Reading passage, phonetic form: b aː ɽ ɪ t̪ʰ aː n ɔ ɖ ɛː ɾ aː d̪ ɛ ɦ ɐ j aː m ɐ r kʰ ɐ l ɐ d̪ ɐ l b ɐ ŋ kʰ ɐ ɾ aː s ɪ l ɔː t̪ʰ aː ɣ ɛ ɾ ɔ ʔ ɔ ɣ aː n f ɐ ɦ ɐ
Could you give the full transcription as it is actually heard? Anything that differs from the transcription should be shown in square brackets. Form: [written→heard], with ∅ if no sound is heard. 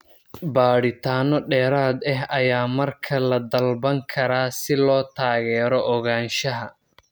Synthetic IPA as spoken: b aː ɽ ɪ t̪ʰ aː n ɔ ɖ ɛː ɾ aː d̪ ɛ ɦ ɐ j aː m ɐ r kʰ ɐ l ɐ d̪ ɐ l b ɐ ŋ kʰ ɐ ɾ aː s ɪ l ɔː t̪ʰ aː ɣ [ɛ→ɛː] ɾ ɔ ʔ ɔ ɣ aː n [f→ʃ] ɐ ɦ ɐ